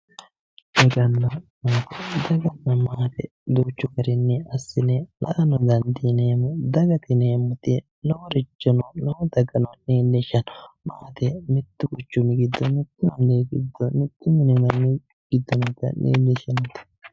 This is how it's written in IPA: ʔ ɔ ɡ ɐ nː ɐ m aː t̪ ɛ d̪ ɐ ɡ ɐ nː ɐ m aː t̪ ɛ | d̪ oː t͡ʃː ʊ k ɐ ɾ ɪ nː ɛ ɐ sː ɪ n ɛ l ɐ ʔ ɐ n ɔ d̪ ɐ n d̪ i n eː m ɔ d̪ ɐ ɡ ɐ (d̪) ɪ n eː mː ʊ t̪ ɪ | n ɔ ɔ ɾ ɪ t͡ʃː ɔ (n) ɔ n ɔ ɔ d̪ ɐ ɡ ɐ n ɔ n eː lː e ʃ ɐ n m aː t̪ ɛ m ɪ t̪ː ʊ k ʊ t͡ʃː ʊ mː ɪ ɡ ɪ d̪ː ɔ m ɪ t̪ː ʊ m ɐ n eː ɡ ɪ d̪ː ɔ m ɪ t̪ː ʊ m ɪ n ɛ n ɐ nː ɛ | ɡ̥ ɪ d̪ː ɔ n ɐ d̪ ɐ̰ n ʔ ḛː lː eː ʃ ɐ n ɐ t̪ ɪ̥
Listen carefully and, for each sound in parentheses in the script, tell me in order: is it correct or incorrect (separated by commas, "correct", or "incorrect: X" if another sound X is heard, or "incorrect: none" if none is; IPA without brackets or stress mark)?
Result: incorrect: t̪, correct